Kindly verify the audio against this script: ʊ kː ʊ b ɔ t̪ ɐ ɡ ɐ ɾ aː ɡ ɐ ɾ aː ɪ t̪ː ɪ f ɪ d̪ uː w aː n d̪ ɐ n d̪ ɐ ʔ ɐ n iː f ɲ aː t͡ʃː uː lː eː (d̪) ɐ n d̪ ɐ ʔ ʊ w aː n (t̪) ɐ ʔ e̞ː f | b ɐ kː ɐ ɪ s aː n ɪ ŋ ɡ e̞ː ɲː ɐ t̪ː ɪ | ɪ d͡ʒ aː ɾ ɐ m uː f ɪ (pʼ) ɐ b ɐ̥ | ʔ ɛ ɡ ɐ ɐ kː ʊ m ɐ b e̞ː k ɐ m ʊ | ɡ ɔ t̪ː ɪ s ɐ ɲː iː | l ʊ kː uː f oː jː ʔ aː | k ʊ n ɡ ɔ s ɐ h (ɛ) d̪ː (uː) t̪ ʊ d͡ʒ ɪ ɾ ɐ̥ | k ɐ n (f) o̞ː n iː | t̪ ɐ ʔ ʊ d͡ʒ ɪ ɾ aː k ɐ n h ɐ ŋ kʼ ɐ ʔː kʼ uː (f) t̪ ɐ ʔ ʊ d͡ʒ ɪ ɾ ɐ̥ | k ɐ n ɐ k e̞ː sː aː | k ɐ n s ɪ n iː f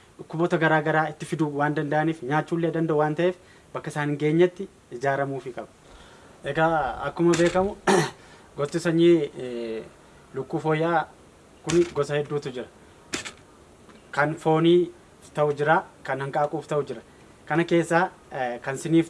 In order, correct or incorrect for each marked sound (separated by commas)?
correct, correct, incorrect, correct, correct, correct, correct